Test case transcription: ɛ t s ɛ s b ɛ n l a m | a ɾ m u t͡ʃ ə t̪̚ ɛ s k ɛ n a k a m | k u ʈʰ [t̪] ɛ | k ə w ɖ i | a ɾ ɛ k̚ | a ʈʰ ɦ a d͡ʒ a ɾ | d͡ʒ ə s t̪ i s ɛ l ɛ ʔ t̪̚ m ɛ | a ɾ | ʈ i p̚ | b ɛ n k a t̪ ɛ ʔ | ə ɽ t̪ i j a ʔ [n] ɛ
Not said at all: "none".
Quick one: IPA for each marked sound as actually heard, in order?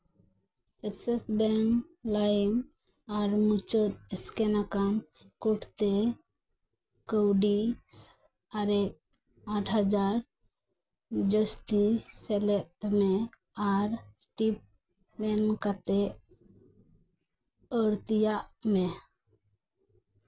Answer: t̪, m

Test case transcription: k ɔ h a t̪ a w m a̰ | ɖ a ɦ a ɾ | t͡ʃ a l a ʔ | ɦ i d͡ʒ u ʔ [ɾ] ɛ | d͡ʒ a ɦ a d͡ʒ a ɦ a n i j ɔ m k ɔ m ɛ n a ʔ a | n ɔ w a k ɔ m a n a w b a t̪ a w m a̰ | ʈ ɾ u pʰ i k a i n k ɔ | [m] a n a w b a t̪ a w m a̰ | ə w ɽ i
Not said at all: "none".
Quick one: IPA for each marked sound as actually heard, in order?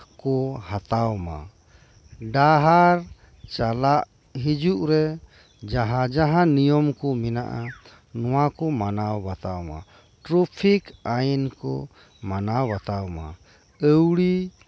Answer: ɾ, m

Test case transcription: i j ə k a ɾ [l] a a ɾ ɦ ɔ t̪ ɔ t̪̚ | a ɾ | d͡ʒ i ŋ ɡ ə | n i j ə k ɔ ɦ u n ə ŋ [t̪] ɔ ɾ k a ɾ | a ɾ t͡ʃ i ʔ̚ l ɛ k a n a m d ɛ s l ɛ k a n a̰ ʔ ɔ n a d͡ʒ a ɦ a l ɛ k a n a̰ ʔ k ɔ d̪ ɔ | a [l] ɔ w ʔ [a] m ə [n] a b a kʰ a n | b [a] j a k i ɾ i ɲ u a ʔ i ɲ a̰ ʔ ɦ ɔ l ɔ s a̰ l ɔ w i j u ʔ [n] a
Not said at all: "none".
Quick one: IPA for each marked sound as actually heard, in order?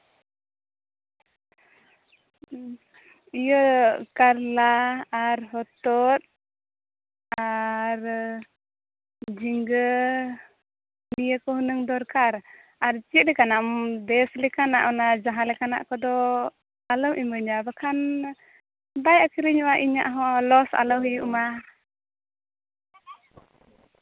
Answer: l, d̪, l, i, ɲ, a, m

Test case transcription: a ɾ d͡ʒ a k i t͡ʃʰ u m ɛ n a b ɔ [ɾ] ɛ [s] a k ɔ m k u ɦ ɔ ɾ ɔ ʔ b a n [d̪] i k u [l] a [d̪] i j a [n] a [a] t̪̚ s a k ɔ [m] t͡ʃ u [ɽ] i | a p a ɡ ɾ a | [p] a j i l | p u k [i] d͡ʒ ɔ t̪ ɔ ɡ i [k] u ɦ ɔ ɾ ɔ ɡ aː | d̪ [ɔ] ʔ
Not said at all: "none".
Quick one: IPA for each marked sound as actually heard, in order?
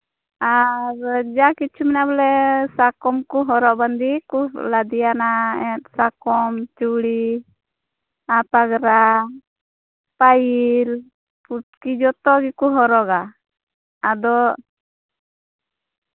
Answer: l, s, d̪, l, d̪, n, ɛ, m, ɽ, p, i, k, ɔ

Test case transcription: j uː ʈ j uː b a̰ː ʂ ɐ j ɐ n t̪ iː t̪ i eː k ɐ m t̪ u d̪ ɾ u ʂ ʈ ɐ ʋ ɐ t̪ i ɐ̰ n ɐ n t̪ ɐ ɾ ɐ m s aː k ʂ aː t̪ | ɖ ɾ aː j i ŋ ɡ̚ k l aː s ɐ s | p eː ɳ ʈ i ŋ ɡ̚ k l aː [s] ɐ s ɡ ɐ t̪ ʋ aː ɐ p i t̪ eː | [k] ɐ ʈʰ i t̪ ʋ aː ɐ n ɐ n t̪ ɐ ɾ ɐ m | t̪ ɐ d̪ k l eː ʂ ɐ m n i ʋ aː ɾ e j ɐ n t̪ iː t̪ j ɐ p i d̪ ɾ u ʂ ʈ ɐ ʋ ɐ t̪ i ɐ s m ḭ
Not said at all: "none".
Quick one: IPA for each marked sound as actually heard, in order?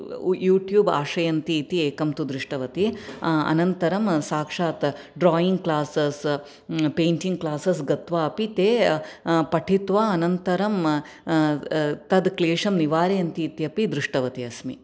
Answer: s, p

